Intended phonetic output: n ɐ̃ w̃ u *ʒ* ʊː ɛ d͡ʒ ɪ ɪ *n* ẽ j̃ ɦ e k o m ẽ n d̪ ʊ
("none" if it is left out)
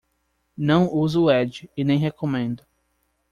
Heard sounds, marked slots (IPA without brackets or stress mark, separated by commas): z, n